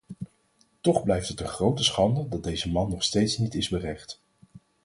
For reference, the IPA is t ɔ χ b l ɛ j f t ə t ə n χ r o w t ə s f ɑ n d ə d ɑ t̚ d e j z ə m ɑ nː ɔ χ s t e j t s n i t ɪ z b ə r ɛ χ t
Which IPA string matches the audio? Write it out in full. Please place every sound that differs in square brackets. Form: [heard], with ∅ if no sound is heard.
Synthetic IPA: t ɔ χ b l ɛ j f t ə t ə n χ r o w t ə s [χ] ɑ n d ə d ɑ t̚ d e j z ə m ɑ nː ɔ χ s t e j t s n i t ɪ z b ə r ɛ χ t